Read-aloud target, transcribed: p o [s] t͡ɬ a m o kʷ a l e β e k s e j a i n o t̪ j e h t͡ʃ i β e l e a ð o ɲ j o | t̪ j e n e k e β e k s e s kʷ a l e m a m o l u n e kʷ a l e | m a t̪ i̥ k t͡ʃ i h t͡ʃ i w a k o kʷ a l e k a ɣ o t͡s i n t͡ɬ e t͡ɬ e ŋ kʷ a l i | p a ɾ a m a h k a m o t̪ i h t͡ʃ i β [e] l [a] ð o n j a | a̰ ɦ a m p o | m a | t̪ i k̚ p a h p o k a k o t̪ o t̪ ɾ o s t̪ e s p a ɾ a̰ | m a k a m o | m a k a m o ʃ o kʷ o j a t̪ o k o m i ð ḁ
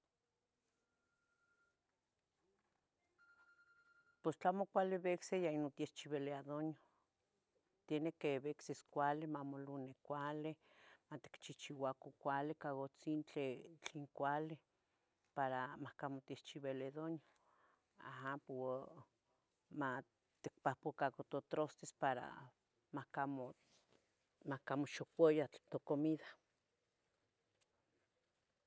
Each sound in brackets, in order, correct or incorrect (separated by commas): correct, correct, incorrect